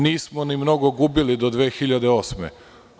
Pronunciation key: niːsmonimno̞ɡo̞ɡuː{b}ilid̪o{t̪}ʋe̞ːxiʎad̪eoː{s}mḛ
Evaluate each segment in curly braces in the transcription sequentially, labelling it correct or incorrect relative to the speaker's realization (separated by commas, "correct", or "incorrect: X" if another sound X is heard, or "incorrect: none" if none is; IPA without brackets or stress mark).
correct, incorrect: d̪, correct